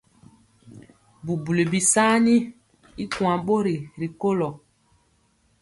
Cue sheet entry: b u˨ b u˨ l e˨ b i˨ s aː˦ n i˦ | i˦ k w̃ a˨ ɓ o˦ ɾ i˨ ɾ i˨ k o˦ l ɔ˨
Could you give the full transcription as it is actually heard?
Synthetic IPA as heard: b u˨ b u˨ l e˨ b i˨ s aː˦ n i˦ | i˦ k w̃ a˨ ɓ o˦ ɾ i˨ ɾ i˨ k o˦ l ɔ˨

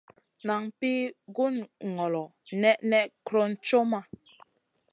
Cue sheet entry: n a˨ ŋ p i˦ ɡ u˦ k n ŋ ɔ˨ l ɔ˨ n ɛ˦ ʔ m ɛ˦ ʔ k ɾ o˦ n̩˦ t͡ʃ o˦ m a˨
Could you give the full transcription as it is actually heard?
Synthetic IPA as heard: n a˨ ŋ p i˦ ɡ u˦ n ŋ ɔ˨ l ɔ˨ n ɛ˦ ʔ n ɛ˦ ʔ k ɾ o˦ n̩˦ t͡ʃ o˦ m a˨

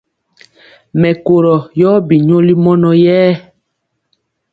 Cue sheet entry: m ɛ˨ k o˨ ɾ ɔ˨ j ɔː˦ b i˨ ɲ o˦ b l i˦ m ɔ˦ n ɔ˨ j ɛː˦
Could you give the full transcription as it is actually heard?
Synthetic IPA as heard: m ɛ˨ k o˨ ɾ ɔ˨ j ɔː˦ b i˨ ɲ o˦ l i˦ m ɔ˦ n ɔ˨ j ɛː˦

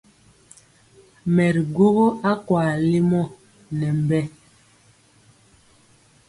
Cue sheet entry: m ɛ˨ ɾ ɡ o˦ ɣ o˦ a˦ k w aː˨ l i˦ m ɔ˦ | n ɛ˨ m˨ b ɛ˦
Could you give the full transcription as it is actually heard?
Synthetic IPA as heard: m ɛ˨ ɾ ɡ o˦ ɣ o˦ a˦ k w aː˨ l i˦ m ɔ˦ | n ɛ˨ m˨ b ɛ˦

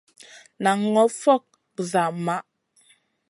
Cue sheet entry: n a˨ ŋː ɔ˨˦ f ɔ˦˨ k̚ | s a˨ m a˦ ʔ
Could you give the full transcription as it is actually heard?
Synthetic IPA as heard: n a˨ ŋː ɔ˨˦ f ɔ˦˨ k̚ | z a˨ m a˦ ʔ

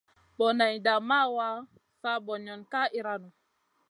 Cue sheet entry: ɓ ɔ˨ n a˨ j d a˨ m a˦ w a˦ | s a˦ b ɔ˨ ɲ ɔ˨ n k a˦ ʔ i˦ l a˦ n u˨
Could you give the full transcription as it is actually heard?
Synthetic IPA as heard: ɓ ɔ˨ n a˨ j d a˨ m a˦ w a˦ | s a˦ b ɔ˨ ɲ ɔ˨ n k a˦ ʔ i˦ ɾ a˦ n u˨

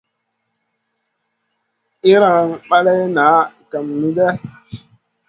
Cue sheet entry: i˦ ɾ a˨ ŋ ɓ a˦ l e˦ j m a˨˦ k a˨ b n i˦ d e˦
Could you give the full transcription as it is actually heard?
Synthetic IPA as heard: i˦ ɾ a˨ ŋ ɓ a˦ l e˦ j n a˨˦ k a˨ m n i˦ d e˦

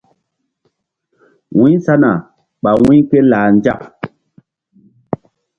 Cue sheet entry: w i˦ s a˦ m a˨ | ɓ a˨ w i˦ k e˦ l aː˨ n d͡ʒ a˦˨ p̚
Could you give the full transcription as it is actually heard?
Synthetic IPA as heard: w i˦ s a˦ n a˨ | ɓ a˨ w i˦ k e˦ l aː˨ n d͡ʒ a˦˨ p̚

